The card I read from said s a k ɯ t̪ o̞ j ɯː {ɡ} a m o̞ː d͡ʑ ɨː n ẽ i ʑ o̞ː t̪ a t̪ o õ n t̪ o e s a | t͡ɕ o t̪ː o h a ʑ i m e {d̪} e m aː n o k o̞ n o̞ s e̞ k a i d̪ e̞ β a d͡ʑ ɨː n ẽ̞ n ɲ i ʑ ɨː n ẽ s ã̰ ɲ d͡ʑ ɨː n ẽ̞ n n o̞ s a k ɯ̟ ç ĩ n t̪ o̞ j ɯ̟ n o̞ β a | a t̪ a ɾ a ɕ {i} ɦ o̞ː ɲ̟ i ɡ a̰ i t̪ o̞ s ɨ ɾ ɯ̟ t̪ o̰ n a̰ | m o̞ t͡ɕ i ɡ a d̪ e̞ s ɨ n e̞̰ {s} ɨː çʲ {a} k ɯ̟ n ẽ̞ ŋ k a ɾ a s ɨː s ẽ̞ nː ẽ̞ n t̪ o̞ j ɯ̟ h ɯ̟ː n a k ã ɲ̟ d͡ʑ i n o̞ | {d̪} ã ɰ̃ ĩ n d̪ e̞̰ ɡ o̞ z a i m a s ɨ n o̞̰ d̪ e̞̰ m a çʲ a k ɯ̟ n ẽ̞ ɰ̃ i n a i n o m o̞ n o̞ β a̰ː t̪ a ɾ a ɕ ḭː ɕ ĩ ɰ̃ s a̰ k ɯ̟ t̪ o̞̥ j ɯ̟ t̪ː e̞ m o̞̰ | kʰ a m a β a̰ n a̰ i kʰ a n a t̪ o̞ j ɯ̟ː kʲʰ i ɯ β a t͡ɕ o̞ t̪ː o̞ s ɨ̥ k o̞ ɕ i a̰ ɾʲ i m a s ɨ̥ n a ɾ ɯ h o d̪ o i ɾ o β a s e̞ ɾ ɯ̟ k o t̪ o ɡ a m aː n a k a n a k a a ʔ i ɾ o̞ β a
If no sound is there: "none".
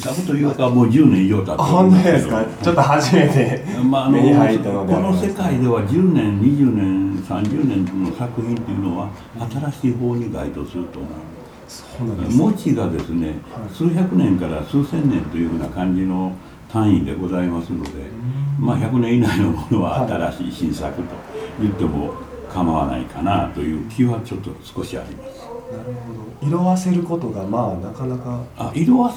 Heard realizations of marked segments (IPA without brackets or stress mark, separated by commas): k, t̪, iː, s, a, t̪